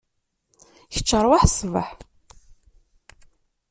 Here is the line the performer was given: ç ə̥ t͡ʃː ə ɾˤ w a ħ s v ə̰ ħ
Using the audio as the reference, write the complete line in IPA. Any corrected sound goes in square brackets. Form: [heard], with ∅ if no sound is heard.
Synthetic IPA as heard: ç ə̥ t͡ʃː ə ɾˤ w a ħ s v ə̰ ħ